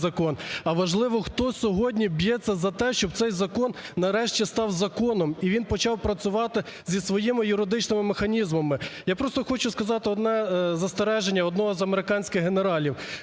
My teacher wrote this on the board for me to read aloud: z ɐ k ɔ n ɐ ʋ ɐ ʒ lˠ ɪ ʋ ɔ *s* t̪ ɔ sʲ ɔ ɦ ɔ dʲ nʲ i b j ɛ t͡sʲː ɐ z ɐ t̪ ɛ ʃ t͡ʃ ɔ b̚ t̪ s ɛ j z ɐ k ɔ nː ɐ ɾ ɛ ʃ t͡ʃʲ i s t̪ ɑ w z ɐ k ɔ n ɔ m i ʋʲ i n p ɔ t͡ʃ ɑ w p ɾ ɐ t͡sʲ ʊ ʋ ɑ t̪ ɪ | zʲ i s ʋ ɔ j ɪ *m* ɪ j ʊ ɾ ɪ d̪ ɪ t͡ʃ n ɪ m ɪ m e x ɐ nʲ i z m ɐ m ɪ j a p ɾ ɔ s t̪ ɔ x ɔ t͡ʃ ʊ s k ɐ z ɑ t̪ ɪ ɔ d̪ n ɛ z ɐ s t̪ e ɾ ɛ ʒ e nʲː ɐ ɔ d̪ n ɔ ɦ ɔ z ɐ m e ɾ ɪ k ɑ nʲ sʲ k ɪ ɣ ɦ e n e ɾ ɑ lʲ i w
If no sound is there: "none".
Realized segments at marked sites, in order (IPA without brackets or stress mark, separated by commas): x, m